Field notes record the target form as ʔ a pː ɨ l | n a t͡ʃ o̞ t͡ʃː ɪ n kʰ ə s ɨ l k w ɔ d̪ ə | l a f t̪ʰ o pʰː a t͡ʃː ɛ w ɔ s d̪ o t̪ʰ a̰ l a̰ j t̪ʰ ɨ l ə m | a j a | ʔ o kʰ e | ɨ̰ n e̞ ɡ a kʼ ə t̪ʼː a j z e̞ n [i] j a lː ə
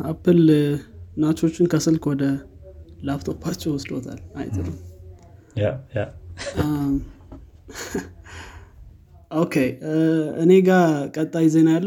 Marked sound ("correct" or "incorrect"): incorrect